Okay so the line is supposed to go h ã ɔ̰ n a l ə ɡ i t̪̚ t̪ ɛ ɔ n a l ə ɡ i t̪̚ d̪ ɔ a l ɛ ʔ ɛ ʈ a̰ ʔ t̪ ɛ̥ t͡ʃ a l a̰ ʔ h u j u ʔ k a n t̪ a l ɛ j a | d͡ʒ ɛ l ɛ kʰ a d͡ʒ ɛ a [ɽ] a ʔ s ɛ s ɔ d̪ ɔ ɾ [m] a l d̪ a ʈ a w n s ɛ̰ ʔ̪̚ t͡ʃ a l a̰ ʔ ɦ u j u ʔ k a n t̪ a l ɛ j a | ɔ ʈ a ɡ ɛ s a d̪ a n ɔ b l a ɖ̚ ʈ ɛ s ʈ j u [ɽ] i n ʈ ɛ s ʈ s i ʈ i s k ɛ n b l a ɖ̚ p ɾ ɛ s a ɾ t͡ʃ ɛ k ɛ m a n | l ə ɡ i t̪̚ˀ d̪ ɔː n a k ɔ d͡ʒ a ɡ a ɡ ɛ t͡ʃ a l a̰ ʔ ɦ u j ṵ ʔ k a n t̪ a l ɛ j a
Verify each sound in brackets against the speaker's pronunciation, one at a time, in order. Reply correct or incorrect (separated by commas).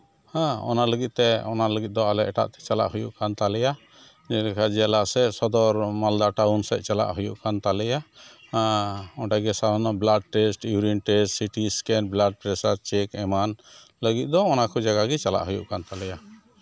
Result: incorrect, correct, incorrect